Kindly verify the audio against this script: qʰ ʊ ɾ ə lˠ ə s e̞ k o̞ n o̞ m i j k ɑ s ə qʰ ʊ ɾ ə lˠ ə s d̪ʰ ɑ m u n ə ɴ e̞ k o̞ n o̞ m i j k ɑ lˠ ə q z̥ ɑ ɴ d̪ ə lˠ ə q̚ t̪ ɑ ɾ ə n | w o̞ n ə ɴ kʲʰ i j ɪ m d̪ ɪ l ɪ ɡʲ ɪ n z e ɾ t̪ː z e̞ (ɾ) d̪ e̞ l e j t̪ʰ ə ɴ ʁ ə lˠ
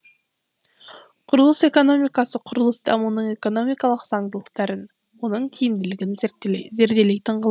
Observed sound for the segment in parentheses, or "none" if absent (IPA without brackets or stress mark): ɾ